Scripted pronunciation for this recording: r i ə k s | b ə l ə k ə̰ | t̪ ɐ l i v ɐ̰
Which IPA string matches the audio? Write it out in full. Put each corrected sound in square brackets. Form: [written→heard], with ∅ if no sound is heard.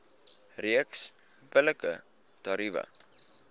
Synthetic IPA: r i ə k s | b ə l ə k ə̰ | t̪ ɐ [l→ɾ] i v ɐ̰

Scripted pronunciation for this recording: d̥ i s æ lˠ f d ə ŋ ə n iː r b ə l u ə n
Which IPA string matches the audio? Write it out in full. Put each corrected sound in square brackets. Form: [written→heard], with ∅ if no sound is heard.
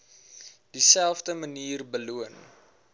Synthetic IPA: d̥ i s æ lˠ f d ə [ŋ→m] ə n iː r b ə l u ə n

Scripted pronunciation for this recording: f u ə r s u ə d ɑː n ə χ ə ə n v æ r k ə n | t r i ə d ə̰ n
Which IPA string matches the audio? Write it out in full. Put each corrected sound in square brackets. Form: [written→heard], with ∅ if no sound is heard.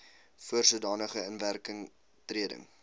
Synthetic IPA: f u ə r s u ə d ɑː n ə χ ə ə n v æ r k ə [n→ŋ] | t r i ə d ə̰ [n→ŋ]

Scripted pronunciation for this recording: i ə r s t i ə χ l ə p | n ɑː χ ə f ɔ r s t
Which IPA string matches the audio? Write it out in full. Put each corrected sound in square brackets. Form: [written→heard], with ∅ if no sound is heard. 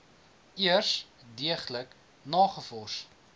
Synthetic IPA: i ə r s [t→d] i ə χ l ə [p→k] | n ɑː χ ə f ɔ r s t

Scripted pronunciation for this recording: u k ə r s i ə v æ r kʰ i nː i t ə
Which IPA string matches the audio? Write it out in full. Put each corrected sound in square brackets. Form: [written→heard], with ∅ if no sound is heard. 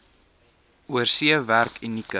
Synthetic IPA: u [k→∅] ə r s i ə v æ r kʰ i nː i [t→k] ə

